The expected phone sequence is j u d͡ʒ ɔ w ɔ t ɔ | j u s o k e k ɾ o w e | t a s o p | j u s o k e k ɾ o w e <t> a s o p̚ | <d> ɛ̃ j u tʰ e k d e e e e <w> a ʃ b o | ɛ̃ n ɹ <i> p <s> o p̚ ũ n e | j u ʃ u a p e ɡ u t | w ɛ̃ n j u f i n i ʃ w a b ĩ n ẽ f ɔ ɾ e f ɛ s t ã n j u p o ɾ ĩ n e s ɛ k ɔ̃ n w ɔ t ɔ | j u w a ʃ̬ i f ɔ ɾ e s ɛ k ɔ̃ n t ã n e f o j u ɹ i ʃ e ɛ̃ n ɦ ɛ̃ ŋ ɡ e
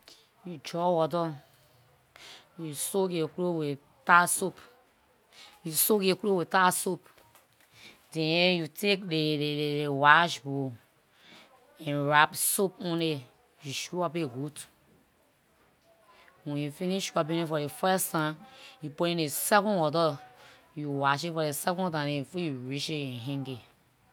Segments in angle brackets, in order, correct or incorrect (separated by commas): correct, correct, correct, incorrect, correct